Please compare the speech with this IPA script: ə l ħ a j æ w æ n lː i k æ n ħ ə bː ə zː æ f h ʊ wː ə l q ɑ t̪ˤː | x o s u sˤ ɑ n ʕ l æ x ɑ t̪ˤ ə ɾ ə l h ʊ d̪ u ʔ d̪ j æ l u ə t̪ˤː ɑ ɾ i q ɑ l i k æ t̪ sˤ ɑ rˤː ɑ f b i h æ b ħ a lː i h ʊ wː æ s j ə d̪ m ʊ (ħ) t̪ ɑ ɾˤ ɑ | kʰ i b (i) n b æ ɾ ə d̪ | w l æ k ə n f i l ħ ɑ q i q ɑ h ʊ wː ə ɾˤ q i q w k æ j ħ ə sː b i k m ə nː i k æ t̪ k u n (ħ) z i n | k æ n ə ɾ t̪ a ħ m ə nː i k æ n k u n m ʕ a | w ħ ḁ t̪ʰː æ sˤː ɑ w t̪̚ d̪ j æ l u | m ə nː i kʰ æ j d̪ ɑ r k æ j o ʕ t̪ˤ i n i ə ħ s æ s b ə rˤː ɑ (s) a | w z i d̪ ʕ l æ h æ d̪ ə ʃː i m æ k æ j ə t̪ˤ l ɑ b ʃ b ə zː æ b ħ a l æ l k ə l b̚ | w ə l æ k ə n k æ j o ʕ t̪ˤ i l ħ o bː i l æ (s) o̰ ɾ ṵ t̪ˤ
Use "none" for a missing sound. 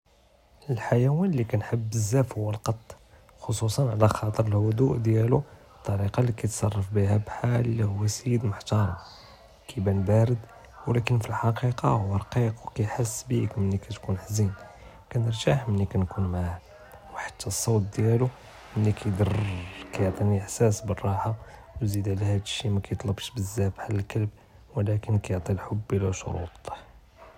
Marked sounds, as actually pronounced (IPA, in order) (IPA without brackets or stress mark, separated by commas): ħ, æ, ħ, ħ, ʃ